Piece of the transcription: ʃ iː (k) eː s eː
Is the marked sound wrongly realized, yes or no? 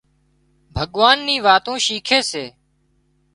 yes